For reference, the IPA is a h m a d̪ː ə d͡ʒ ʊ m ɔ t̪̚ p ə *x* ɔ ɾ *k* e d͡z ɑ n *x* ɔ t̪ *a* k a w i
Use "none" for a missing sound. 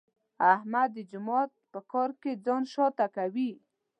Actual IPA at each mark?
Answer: k, k, ʃ, a

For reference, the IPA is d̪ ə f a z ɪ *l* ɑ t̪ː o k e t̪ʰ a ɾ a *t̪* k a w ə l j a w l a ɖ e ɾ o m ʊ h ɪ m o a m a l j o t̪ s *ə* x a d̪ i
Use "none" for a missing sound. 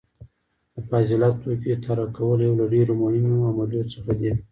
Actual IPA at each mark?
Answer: l, none, ə

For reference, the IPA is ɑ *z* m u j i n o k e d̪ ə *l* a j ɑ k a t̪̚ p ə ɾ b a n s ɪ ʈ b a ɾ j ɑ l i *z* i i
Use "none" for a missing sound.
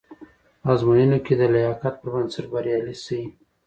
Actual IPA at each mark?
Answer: z, l, s

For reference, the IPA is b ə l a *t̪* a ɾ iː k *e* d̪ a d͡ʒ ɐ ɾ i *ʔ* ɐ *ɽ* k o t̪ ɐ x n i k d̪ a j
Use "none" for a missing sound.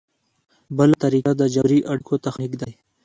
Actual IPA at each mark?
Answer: t̪, a, ʔ, ɽ

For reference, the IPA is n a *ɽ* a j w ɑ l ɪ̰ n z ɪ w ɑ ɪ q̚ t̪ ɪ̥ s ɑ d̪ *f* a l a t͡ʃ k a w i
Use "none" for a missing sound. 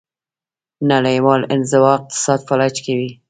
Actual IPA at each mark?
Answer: l, f

